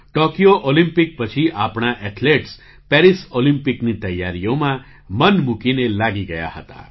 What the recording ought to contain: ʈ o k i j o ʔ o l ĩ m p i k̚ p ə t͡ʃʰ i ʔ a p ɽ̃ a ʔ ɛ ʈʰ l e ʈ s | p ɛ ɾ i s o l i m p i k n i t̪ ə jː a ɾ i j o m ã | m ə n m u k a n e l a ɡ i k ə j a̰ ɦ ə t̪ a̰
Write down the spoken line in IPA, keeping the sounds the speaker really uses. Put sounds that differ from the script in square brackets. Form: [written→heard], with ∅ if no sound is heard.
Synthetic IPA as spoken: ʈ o k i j o ʔ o l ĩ m p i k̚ p ə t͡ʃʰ i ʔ a p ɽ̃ a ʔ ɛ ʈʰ l e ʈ s | p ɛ ɾ i s o l i m p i k n i t̪ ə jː a ɾ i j o m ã | m ə n m u k [a→i] n e l a ɡ i [k→ɡ] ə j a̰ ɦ ə t̪ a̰